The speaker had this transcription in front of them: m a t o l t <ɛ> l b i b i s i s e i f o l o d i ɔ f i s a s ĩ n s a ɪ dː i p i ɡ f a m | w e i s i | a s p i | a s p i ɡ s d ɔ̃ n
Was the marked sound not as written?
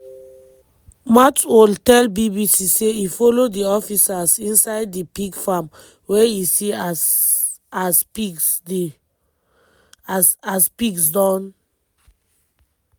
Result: no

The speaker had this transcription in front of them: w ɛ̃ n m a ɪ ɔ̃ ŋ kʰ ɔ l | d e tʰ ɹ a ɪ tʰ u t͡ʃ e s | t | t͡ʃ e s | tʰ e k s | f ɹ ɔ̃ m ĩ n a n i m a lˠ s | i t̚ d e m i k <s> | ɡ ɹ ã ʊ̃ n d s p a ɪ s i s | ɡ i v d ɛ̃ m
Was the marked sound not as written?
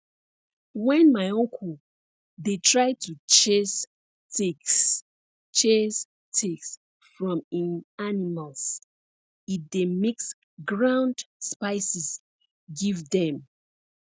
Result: no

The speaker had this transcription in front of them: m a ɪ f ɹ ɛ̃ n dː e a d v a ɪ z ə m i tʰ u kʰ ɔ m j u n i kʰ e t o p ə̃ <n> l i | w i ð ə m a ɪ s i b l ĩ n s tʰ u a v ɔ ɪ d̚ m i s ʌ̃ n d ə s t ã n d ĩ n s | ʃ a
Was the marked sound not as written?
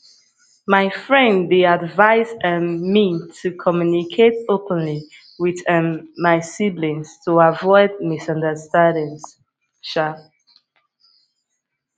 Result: no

